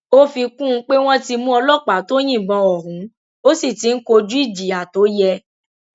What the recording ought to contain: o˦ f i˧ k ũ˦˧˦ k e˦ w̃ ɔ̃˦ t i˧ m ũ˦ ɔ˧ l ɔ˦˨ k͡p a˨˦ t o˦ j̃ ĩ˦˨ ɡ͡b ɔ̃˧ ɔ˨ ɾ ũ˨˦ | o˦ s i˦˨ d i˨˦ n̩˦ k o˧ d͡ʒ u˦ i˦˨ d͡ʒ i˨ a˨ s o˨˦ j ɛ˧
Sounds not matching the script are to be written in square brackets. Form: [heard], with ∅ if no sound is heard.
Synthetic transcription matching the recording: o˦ f i˧ k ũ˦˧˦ [k͡p] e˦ w̃ ɔ̃˦ t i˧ m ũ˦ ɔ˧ l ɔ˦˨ k͡p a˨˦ t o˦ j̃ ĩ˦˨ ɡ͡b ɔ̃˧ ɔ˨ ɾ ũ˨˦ | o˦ s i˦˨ [t] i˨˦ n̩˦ k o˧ d͡ʒ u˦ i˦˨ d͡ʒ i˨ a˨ [t] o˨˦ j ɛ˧